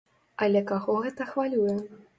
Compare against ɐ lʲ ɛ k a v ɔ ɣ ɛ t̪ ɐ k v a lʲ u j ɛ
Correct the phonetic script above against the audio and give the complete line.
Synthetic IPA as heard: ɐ lʲ ɛ k a ɣ ɔ ɣ ɛ t̪ ɐ x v a lʲ u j ɛ